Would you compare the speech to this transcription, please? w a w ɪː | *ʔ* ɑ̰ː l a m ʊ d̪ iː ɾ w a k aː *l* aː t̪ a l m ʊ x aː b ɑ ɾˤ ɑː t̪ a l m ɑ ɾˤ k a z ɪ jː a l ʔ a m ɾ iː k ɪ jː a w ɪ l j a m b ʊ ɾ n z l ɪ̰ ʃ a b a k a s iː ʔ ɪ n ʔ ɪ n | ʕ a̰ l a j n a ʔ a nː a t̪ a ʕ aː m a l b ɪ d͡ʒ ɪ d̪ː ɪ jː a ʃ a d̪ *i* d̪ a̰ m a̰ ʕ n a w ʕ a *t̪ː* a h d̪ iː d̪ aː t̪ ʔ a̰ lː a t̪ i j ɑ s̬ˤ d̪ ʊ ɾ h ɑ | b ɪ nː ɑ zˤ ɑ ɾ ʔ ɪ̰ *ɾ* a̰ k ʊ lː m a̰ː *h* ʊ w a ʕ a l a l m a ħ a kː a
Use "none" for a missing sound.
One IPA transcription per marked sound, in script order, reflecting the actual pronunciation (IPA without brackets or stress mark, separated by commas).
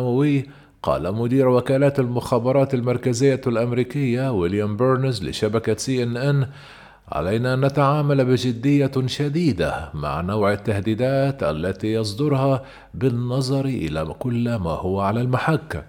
q, l, iː, t̪ː, l, h